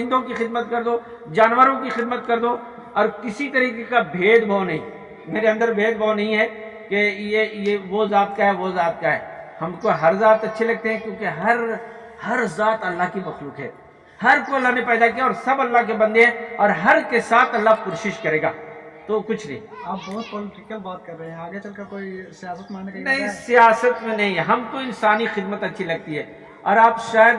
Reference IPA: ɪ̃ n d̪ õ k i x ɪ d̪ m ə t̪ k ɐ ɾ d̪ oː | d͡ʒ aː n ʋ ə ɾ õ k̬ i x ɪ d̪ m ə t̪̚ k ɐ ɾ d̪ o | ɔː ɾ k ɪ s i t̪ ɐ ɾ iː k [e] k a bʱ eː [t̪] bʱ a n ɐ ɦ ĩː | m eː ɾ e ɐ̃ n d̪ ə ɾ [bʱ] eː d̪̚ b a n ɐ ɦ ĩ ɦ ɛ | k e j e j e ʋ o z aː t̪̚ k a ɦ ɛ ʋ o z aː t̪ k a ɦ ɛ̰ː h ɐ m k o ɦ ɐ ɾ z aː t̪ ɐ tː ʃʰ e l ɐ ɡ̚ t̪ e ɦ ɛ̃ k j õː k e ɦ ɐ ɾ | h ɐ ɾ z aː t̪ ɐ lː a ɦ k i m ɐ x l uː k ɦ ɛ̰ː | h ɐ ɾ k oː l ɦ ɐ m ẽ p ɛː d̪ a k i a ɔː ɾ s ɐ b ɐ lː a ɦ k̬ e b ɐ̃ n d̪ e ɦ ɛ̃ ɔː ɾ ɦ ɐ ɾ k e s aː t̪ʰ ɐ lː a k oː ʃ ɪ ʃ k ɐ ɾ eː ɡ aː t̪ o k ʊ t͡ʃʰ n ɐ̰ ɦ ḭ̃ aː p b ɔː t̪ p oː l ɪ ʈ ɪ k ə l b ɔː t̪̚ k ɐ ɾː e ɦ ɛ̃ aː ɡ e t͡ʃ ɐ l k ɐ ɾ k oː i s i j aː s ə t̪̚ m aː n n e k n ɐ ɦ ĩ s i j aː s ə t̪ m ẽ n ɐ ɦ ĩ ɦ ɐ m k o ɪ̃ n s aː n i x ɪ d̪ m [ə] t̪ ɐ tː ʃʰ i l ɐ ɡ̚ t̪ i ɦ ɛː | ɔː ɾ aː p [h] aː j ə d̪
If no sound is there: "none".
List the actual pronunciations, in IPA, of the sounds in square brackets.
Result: e, d̪, bʱ, ə, ʃ

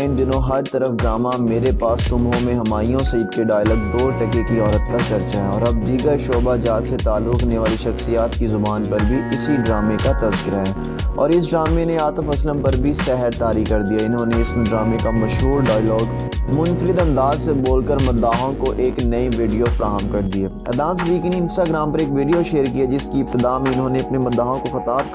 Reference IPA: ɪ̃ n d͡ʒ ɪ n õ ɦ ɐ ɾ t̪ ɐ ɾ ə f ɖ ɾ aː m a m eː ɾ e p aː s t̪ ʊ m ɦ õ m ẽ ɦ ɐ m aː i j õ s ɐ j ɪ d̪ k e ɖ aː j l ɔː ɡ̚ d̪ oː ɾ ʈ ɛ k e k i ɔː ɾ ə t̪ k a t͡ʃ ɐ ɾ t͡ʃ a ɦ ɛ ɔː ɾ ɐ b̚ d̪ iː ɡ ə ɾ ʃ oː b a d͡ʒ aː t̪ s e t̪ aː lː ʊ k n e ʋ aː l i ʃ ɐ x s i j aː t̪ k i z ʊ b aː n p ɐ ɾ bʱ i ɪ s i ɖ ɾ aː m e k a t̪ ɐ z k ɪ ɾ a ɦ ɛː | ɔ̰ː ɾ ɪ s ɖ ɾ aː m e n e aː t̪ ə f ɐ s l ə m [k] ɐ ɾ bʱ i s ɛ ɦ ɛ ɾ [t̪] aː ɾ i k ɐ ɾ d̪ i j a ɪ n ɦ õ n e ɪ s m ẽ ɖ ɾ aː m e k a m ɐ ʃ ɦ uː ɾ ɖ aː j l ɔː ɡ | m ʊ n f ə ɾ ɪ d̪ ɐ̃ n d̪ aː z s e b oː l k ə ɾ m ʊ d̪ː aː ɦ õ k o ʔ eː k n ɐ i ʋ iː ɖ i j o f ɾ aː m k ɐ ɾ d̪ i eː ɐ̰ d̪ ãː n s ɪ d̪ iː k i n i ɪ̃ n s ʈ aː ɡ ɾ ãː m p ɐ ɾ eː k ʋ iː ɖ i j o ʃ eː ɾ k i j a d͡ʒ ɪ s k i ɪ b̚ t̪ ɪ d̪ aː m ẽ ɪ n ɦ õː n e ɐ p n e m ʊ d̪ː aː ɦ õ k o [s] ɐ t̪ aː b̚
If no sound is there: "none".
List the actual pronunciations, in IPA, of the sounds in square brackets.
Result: p, t̪, x

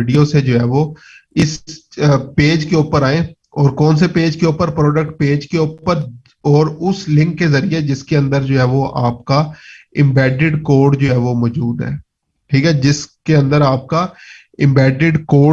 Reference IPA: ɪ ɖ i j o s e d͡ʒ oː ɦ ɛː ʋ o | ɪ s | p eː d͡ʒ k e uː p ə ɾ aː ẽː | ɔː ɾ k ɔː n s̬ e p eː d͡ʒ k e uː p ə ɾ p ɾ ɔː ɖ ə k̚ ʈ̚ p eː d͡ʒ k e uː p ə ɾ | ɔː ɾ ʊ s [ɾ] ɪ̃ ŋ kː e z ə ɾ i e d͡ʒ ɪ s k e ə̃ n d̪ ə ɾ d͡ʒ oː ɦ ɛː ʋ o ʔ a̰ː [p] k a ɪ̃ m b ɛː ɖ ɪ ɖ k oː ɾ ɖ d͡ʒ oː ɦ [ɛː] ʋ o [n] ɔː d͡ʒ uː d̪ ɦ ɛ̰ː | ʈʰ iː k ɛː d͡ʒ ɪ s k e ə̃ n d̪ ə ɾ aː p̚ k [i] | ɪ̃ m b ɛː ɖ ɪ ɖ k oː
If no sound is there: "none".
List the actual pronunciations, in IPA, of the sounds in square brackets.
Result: l, p, ɛː, m, a

